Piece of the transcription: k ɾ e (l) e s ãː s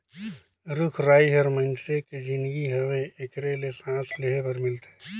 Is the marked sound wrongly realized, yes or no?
no